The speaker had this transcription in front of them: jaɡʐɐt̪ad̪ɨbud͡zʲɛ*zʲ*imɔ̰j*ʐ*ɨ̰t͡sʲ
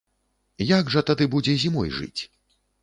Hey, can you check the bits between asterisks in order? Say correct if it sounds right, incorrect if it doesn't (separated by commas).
correct, correct